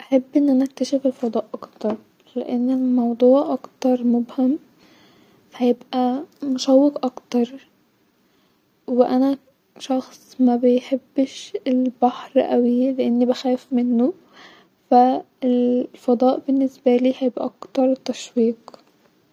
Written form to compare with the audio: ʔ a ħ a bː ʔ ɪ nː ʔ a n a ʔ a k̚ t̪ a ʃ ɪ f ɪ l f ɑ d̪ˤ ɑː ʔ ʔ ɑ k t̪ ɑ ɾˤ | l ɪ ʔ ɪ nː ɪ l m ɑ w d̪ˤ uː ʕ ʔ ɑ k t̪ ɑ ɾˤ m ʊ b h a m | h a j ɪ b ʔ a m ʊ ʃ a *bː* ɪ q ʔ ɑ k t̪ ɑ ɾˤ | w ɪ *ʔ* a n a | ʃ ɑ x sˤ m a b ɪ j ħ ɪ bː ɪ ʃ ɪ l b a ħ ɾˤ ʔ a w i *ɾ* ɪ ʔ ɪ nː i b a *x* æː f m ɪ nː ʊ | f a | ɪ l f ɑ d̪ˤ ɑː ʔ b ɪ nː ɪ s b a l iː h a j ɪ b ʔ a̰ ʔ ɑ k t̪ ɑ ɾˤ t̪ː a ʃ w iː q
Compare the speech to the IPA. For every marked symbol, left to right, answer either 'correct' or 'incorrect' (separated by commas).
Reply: incorrect, correct, incorrect, correct